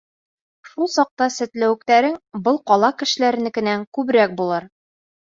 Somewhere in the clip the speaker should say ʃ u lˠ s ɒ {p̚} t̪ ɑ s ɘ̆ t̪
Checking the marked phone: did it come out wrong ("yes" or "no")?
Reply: yes